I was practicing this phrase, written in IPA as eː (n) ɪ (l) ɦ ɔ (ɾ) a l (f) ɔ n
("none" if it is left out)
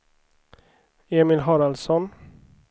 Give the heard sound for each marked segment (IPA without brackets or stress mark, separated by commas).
m, l, ɾ, s